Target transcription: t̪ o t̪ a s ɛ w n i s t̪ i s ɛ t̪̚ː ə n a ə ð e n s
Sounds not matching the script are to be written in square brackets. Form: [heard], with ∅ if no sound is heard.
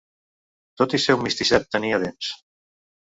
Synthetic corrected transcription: t̪ o t̪ [i] s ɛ w [m] i s t̪ i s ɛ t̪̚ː ə n [i] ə ð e n s